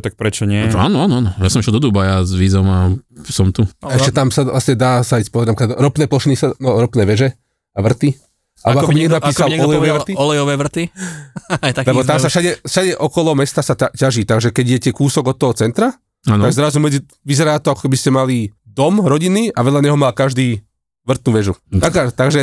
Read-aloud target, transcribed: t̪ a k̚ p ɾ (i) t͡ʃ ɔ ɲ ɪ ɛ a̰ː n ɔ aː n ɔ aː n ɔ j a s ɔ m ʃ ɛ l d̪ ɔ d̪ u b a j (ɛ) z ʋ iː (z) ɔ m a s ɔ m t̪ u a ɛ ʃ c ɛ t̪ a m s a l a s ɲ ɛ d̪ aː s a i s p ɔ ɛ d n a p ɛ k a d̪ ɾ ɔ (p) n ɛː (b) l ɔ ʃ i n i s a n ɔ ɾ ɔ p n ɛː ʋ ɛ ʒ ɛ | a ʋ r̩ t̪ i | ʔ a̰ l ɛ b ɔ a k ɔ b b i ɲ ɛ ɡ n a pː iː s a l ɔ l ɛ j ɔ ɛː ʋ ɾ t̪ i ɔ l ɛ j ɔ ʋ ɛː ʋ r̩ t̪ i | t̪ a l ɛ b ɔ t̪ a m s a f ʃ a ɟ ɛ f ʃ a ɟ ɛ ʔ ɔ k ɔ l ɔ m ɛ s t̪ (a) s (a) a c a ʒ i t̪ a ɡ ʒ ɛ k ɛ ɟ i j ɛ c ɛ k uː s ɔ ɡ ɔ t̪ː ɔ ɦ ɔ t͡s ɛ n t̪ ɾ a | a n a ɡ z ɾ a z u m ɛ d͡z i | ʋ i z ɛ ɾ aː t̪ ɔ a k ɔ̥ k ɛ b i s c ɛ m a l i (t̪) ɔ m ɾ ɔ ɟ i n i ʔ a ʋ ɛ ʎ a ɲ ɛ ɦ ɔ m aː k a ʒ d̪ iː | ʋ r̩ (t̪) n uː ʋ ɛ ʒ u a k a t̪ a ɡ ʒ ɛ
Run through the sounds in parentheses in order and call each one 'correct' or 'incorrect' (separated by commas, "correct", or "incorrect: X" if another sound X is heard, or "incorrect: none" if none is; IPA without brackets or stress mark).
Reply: incorrect: ɛ, incorrect: a, correct, correct, incorrect: p, correct, correct, incorrect: d̪, correct